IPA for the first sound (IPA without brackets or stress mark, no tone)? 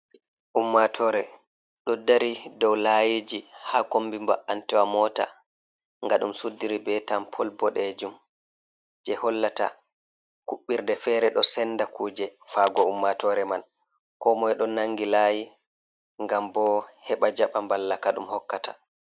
ʔ